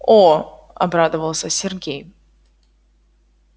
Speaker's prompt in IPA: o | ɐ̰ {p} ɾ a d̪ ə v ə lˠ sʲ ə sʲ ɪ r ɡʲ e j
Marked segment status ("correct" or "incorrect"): incorrect